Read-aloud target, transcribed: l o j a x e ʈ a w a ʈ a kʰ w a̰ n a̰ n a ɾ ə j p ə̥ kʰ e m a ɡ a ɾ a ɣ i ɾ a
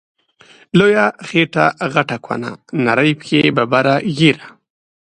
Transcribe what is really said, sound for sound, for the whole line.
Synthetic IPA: l o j a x e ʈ a ɣ a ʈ a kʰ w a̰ n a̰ n a ɾ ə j p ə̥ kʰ e b a b a ɾ a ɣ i ɾ a